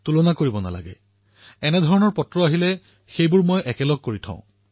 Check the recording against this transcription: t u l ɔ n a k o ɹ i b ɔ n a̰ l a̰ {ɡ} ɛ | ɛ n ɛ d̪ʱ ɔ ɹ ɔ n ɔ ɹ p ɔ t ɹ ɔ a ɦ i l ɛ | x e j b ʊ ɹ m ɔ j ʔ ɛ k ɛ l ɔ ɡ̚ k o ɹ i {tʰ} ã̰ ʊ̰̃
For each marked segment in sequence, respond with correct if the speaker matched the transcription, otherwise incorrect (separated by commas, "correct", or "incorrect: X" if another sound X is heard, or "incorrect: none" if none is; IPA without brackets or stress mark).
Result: correct, correct